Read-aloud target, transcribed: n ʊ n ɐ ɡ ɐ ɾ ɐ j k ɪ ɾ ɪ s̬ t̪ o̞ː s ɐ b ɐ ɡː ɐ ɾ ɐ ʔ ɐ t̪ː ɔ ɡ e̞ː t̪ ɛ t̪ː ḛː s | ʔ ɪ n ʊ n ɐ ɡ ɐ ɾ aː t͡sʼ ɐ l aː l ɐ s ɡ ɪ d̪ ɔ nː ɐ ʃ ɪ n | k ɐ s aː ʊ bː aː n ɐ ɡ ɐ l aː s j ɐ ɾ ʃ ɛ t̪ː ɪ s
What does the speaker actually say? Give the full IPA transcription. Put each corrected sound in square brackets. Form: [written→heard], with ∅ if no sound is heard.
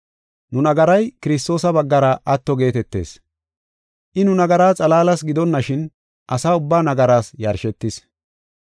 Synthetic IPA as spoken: n ʊ n ɐ ɡ ɐ ɾ ɐ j k ɪ ɾ ɪ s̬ t̪ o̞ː s ɐ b ɐ ɡː ɐ ɾ ɐ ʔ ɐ t̪ː ɔ ɡ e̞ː t̪ ɛ t̪ː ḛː s | ʔ ɪ n ʊ n ɐ ɡ ɐ ɾ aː t͡sʼ ɐ l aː l ɐ s ɡ ɪ d̪ ɔ nː ɐ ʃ ɪ n | [k→ʔ] ɐ s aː ʊ bː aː n ɐ ɡ ɐ [l→ɾ] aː s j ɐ ɾ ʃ ɛ t̪ː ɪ s

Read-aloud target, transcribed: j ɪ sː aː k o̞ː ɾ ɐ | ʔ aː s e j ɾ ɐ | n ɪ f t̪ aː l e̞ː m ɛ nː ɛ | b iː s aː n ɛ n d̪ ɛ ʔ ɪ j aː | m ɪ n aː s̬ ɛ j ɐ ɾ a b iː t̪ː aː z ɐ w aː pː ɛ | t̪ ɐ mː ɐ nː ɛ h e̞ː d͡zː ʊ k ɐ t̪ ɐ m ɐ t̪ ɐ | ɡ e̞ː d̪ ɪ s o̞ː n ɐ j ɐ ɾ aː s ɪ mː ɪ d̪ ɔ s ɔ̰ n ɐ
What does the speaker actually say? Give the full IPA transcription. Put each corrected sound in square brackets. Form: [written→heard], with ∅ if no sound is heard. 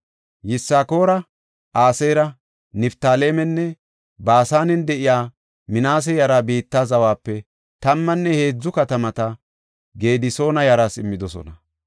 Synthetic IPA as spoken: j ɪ sː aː k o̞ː ɾ ɐ | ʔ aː s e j ɾ ɐ | n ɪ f t̪ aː l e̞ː m ɛ nː ɛ | b [iː→aː] s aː n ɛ n d̪ ɛ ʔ ɪ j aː | m ɪ n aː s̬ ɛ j ɐ ɾ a b iː t̪ː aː z ɐ w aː pː ɛ | t̪ ɐ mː ɐ nː ɛ h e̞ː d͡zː ʊ k ɐ t̪ ɐ m ɐ t̪ ɐ | ɡ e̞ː d̪ ɪ s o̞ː n ɐ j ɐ ɾ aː s ɪ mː ɪ d̪ ɔ s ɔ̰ n ɐ

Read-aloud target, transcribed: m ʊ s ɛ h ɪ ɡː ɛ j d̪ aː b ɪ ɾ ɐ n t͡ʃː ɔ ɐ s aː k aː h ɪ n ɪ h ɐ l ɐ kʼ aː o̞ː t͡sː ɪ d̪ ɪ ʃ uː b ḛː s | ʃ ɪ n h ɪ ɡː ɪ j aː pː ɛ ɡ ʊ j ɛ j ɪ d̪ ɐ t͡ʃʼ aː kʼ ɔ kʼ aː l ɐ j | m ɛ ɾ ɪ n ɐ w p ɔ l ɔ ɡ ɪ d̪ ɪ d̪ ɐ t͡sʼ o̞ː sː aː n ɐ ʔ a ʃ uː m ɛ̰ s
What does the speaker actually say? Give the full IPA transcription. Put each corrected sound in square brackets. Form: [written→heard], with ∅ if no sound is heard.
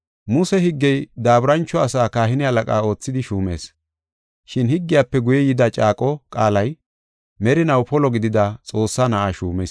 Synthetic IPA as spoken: m ʊ s ɛ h ɪ ɡː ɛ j d̪ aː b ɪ ɾ ɐ n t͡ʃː ɔ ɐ s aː k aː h ɪ n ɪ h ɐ l ɐ kʼ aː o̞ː t͡sː ɪ d̪ ɪ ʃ uː [b→m] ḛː s | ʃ ɪ n h ɪ ɡː ɪ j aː pː ɛ ɡ ʊ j ɛ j ɪ d̪ ɐ t͡ʃʼ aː kʼ ɔ kʼ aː l ɐ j | m ɛ ɾ ɪ n ɐ w p ɔ l ɔ ɡ ɪ d̪ ɪ d̪ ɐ t͡sʼ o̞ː sː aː n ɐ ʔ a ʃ uː m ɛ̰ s

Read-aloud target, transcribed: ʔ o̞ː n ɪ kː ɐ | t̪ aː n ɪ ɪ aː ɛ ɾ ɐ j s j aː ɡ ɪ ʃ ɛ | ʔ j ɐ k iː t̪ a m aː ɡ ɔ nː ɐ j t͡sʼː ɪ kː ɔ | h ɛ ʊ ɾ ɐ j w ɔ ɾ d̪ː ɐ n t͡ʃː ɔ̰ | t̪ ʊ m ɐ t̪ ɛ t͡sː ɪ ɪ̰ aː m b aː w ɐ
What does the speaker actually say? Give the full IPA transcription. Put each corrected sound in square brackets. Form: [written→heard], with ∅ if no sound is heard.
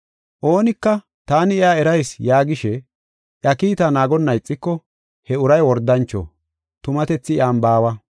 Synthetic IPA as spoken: ʔ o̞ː n ɪ kː ɐ | t̪ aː n ɪ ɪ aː ɛ ɾ ɐ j s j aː ɡ ɪ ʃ ɛ | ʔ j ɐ k iː t̪ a [m→n] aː ɡ ɔ nː ɐ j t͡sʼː ɪ kː ɔ | h ɛ ʊ ɾ ɐ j w ɔ ɾ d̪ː ɐ n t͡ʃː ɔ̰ | t̪ ʊ m ɐ t̪ ɛ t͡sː ɪ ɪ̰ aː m b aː w ɐ

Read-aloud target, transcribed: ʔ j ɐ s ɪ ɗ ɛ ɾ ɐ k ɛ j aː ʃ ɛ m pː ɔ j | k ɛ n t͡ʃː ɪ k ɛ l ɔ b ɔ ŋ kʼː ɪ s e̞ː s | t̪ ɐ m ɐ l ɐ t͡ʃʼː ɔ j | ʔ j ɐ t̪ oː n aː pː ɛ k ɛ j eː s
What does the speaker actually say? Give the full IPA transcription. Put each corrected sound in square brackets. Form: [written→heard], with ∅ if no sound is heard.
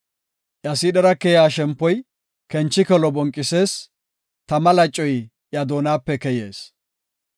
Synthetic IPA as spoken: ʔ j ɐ s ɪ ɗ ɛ ɾ ɐ k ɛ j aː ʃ ɛ m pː ɔ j | k ɛ n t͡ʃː ɪ k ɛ l ɔ b ɔ ŋ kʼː ɪ s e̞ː s | t̪ ɐ m ɐ l ɐ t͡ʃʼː ɔ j | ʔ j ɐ [t̪→d̪] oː n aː pː ɛ k ɛ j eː s

